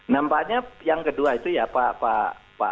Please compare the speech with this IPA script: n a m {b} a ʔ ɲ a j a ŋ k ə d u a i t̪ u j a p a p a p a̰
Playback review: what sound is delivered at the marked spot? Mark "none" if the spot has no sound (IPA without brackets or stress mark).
p